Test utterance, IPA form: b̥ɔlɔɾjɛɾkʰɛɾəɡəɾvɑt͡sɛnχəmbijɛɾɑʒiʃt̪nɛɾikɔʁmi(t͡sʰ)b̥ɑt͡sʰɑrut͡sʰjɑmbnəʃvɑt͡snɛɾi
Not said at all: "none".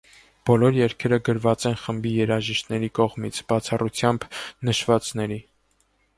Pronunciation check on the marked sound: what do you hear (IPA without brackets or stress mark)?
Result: t͡sʰ